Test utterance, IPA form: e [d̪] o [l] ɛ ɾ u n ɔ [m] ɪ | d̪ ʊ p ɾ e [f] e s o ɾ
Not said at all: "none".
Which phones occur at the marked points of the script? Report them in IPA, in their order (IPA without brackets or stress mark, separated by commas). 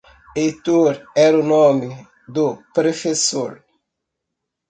t̪, ɾ, m, f